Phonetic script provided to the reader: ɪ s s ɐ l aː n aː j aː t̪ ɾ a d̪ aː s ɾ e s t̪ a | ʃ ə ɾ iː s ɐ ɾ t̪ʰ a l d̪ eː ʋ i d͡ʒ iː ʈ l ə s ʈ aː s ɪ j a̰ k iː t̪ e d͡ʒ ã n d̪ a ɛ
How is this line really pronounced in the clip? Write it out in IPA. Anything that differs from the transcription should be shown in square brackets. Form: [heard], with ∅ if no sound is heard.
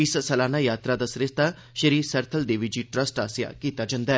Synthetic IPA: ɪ s s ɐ l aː n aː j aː t̪ ɾ a d̪ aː s ɾ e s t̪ a | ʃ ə ɾ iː s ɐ ɾ t̪ʰ [ə] l d̪ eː ʋ i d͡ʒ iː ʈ [ɾ] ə s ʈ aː s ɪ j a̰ k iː t̪ [a] d͡ʒ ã n d̪ a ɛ